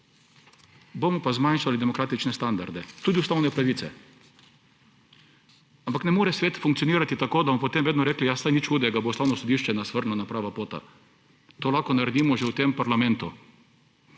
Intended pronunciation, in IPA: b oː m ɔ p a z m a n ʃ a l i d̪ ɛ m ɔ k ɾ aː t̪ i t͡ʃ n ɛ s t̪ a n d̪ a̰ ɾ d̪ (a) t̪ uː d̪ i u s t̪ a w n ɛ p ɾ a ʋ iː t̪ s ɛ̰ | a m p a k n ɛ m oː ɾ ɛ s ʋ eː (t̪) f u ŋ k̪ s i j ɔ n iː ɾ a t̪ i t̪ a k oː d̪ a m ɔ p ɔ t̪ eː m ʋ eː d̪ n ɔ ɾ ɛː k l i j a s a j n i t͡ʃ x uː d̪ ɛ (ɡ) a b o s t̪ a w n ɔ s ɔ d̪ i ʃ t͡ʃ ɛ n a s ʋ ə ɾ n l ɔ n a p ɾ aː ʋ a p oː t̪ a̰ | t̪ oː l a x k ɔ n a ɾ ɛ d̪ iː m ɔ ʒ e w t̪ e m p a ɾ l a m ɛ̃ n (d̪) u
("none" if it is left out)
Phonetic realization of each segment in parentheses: ɛ, t̪, ɡ, t̪

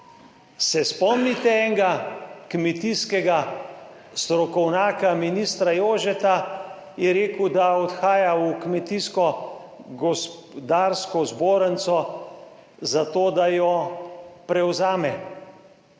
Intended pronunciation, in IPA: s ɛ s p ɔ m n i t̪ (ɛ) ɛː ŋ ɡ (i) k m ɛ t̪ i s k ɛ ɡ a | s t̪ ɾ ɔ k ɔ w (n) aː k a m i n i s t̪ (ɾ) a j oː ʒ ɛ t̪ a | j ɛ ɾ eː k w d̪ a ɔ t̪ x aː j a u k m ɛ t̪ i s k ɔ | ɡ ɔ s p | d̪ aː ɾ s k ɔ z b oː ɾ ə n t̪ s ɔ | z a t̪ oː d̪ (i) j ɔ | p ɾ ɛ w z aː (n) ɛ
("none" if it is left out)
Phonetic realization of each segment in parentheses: ɛ, a, n, ɾ, a, m

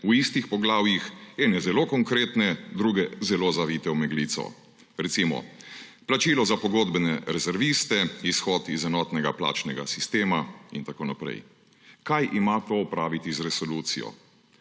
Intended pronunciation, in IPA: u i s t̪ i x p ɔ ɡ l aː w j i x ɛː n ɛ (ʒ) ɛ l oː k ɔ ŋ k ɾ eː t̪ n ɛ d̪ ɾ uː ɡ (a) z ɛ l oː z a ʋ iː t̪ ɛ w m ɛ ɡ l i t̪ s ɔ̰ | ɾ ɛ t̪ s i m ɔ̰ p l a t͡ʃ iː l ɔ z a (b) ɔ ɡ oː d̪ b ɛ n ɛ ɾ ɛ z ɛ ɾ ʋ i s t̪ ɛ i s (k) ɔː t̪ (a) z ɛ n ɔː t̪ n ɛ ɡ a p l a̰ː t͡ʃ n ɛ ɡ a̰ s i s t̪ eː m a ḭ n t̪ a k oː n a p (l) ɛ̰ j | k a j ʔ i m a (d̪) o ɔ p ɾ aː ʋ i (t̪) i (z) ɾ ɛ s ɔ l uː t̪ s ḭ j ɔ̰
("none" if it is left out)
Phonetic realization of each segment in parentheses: z, ɛ, p, x, i, ɾ, t̪, t̪, z

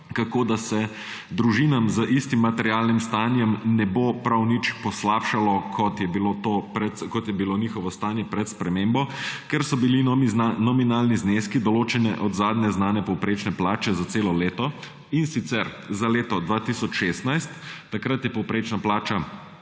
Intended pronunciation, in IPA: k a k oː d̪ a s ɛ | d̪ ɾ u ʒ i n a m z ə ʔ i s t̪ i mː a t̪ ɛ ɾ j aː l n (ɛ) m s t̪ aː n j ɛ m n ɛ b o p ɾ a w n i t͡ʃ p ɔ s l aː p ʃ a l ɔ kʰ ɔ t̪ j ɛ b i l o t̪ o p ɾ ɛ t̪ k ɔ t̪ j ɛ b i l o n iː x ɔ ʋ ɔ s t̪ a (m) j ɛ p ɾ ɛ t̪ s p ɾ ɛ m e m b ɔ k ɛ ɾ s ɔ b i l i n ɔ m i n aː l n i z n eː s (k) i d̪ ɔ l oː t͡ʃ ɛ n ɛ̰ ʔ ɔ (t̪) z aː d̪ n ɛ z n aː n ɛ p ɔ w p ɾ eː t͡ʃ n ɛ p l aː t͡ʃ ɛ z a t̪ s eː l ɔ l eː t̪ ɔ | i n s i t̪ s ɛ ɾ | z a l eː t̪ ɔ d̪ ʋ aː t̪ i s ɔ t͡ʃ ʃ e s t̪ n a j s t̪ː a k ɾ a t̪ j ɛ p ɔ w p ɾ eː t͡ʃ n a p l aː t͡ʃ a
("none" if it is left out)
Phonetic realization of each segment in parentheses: i, n, k, d̪

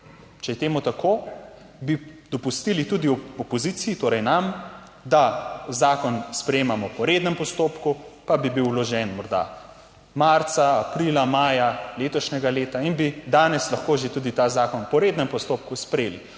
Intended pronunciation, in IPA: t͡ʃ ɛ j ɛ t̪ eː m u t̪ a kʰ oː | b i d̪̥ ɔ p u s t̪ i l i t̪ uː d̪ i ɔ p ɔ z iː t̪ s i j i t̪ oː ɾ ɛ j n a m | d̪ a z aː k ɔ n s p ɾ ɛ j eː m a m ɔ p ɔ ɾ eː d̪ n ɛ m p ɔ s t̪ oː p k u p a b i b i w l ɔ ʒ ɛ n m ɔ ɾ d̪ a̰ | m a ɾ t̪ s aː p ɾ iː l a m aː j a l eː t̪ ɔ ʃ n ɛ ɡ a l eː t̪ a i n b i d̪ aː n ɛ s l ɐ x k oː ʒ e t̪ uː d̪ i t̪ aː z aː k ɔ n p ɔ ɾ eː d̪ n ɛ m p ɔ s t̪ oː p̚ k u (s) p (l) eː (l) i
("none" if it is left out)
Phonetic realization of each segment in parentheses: s, ɾ, l

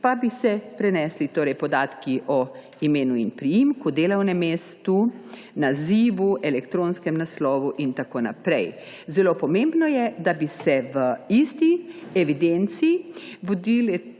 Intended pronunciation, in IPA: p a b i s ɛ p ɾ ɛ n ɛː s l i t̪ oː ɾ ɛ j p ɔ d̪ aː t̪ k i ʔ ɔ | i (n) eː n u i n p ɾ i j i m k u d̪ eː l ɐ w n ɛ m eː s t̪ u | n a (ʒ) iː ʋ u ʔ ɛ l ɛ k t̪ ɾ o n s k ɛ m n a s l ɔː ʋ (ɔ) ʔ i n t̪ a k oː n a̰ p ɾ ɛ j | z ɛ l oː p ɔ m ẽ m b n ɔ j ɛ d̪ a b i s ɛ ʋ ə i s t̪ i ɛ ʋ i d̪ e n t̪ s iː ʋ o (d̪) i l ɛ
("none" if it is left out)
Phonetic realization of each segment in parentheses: m, z, u, d̪

